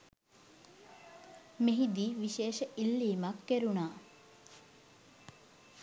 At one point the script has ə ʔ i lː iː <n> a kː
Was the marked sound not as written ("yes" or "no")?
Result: yes